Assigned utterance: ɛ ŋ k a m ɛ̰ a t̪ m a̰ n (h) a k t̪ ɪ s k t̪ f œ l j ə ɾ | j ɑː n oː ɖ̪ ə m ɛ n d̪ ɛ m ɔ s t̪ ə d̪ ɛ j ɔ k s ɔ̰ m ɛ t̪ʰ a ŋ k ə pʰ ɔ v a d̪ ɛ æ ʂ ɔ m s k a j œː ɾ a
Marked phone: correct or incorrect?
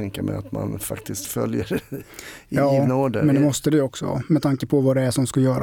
incorrect